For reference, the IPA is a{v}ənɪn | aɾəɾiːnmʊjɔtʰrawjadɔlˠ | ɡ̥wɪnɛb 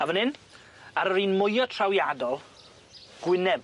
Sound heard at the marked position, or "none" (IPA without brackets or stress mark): v